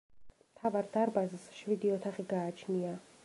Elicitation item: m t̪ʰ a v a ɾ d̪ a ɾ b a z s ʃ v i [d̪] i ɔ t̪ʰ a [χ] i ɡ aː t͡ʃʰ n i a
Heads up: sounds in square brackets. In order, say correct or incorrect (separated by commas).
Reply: correct, correct